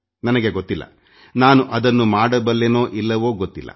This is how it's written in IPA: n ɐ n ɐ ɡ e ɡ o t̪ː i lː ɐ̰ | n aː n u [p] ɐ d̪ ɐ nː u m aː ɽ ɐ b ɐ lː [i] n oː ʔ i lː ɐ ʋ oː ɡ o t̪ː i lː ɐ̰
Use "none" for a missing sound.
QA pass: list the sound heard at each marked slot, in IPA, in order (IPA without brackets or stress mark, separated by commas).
ʔ, e